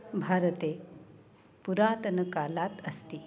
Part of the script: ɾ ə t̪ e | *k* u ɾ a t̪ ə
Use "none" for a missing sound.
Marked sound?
p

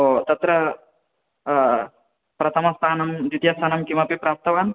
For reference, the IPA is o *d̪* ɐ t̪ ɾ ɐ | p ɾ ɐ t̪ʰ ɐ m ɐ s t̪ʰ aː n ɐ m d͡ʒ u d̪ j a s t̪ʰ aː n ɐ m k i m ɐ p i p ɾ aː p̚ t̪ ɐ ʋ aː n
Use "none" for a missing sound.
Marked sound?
t̪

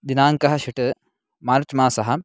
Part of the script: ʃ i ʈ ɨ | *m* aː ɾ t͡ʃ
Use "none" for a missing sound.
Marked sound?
m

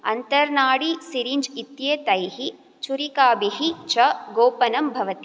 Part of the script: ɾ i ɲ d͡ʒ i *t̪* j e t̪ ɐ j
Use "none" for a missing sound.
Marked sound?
t̪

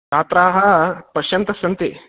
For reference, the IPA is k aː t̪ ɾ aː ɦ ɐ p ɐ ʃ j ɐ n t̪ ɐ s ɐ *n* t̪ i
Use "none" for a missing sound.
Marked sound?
n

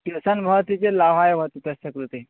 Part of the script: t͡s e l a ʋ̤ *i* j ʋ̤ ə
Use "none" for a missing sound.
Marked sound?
a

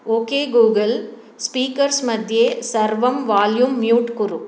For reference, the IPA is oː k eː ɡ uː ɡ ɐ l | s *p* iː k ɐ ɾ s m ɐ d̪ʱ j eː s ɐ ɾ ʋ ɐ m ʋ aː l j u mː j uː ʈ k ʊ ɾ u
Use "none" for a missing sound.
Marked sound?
p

